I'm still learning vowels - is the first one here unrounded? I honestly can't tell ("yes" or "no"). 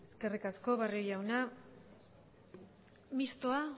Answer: yes